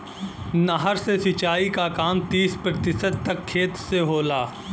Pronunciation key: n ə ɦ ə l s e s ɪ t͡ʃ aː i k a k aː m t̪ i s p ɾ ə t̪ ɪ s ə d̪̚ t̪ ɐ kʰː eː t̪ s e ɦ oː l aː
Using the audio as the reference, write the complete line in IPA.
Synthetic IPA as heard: n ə ɦ ə ɾ s e s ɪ t͡ʃ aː i k a k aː m t̪ iː s p ɾ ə t̪ ɪ s ə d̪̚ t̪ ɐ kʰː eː t̪ s e ɦ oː l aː